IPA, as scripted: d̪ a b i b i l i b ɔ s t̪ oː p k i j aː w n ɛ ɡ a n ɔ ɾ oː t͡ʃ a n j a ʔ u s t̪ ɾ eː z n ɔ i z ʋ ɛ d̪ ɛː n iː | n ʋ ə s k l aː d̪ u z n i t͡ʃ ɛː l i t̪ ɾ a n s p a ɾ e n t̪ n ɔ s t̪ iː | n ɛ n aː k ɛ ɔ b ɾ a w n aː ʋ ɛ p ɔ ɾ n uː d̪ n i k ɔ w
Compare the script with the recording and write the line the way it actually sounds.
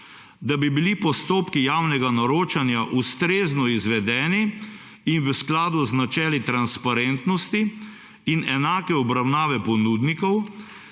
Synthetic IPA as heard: d̪ a b i b i l i p ɔ s t̪ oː p k i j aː w n ɛ ɡ a n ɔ ɾ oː t͡ʃ a n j a ʔ u s t̪ ɾ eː z n ɔ i z ʋ ɛ d̪ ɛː n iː | n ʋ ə s k l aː d̪ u z n a t͡ʃ ɛː l i t̪ ɾ a n s p a ɾ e n t̪ n ɔ s t̪ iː | n ɛ n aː k ɛ ɔ b ɾ a w n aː ʋ ɛ p ɔ n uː d̪ n i k ɔ w